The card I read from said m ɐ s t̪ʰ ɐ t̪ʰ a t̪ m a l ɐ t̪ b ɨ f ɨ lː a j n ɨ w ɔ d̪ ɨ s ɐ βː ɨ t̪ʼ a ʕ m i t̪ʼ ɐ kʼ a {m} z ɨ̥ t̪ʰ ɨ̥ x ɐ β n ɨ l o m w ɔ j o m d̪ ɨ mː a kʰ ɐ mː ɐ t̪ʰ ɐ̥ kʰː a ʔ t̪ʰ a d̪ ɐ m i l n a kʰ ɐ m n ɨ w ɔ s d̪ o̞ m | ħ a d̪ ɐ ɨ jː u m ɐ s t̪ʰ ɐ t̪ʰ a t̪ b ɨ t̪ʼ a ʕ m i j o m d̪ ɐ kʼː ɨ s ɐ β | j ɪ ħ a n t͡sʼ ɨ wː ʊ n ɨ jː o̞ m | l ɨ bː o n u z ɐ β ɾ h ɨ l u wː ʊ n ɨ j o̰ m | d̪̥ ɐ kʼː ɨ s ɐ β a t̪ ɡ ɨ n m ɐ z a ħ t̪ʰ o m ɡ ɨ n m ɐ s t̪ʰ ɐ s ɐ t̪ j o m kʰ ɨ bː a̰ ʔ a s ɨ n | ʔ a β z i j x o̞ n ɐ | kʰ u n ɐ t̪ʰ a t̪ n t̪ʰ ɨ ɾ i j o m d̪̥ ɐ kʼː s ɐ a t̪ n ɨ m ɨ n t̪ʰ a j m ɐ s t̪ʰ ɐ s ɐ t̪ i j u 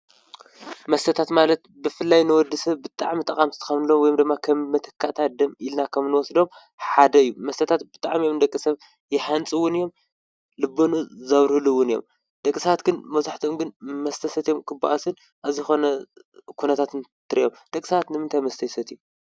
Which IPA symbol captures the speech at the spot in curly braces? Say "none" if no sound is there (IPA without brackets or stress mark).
m